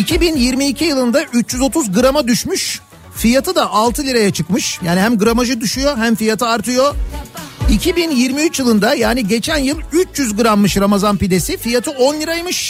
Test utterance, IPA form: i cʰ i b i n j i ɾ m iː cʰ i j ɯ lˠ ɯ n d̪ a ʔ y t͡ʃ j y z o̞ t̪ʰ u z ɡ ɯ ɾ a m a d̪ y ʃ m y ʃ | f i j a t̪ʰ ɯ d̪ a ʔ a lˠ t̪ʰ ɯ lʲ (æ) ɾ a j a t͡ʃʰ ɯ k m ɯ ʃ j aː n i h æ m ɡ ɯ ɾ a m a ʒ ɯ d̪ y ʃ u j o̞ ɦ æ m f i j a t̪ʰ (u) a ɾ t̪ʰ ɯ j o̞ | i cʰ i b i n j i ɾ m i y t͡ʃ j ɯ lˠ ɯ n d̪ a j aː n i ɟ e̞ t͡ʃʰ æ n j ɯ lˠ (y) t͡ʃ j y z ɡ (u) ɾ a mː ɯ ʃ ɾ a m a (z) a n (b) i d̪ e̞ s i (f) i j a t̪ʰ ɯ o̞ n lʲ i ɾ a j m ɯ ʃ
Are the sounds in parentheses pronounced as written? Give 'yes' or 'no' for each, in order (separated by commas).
no, no, yes, no, yes, no, yes